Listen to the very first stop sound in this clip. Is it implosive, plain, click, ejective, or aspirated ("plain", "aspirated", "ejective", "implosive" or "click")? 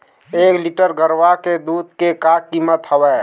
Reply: plain